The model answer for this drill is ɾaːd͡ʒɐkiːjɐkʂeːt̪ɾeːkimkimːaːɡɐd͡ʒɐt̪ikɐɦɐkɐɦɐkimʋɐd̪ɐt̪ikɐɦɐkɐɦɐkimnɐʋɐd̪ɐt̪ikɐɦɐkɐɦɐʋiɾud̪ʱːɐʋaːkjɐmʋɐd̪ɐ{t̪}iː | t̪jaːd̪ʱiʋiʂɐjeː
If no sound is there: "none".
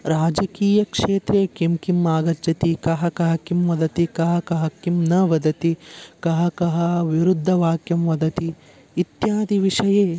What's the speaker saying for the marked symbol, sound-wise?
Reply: t̪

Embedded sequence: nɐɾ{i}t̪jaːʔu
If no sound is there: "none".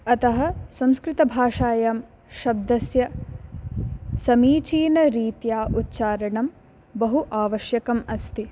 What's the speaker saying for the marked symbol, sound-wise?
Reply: iː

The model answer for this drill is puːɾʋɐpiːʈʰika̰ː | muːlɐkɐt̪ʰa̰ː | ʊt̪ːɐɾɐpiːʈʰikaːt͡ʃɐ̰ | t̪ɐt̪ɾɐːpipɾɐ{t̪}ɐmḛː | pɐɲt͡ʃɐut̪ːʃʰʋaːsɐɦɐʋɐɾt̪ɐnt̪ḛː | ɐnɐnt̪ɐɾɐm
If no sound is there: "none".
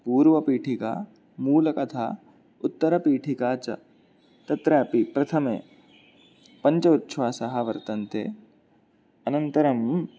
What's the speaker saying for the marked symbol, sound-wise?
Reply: t̪ʰ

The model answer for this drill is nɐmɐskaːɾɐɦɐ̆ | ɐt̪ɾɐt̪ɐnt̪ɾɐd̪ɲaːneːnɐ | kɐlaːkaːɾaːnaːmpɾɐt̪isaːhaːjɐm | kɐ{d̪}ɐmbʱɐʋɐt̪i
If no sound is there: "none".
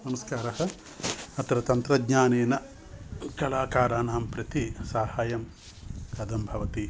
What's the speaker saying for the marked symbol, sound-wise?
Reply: d̪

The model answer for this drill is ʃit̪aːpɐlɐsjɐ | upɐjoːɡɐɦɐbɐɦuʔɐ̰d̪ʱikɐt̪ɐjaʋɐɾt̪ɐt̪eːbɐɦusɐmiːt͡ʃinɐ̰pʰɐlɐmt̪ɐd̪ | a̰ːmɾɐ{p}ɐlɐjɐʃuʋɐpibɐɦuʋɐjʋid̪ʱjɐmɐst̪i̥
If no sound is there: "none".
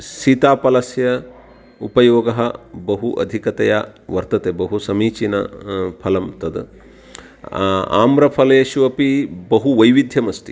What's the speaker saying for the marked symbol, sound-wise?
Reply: pʰ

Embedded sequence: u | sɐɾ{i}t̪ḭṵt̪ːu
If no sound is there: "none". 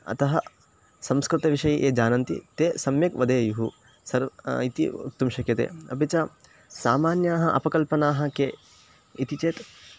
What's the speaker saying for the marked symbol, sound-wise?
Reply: i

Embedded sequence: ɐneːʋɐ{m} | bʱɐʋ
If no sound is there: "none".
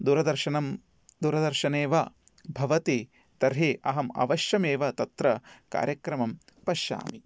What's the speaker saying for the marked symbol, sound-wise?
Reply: none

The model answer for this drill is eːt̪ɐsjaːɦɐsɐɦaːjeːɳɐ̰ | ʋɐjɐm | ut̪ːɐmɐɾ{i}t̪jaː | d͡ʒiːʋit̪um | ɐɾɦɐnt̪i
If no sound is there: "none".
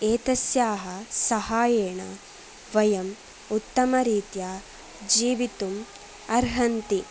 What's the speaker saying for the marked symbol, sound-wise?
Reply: iː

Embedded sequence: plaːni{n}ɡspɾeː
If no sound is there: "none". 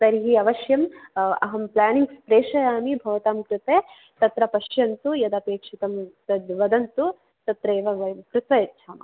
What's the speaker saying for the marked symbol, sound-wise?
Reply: ŋ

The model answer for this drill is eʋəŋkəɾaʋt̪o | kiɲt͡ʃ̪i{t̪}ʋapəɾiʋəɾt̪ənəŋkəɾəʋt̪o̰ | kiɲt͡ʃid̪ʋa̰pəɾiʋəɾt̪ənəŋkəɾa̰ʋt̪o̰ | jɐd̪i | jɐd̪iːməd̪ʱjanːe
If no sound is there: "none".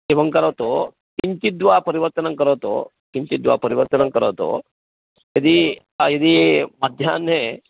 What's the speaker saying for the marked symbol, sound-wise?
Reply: d̪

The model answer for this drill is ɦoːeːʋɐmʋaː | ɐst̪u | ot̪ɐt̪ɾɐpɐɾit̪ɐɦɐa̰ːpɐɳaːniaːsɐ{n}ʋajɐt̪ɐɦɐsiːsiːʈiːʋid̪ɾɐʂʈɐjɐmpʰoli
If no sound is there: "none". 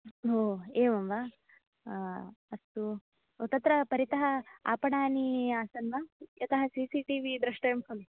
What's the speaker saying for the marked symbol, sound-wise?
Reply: n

